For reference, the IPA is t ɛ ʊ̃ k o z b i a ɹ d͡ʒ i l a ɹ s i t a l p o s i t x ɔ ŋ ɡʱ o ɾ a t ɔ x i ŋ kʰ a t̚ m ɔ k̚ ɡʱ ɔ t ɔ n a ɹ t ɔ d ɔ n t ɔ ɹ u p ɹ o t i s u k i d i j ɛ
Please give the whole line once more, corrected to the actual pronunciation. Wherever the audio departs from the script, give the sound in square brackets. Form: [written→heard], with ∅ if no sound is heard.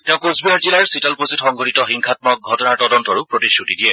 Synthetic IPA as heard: t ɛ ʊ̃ k o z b i a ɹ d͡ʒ i l a ɹ s i t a l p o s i t x ɔ ŋ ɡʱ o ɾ [a→i] t ɔ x i ŋ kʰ a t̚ m ɔ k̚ ɡʱ ɔ t ɔ n a ɹ t ɔ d ɔ n t ɔ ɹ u p ɹ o t i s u [k→t] i d i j ɛ